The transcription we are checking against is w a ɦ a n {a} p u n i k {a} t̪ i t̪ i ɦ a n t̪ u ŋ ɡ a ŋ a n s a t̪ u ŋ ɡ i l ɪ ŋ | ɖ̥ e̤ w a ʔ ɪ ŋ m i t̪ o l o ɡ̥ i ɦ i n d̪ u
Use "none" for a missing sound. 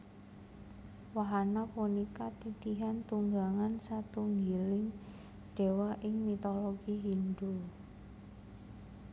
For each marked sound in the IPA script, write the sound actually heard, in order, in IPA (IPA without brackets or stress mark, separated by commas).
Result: a, a